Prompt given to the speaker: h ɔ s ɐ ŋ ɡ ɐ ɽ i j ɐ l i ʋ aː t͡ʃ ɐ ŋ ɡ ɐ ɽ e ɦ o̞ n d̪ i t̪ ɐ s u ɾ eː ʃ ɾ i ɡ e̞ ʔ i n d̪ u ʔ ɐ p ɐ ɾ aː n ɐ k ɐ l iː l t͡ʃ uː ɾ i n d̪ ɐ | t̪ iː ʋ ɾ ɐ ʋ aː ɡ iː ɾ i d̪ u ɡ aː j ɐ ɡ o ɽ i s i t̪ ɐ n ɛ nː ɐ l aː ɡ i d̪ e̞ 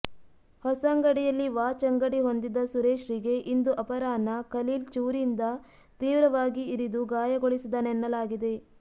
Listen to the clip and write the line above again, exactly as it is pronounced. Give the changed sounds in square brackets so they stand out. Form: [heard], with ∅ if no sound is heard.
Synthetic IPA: h ɔ s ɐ ŋ ɡ ɐ ɽ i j ɐ [lː] i ʋ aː t͡ʃ ɐ ŋ ɡ ɐ ɽ [i] ɦ o̞ n d̪ i [d̪] ɐ s u ɾ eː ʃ ɾ i ɡ e̞ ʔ i n d̪ u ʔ ɐ p ɐ ɾ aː n ɐ k ɐ l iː l t͡ʃ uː ɾ i n d̪ ɐ | t̪ iː ʋ ɾ ɐ ʋ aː ɡ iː ɾ i d̪ u ɡ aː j ɐ ɡ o [ɭ] i s i [d̪] ɐ n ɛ nː ɐ l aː ɡ i d̪ e̞